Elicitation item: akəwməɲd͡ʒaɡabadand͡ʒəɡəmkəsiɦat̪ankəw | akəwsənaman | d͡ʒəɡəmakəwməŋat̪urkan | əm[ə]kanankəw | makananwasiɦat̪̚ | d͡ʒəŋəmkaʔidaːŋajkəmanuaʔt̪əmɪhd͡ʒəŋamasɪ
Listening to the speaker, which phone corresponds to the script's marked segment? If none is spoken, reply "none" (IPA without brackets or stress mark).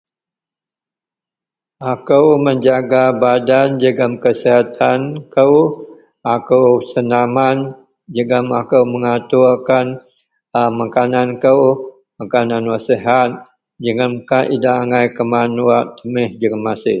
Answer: a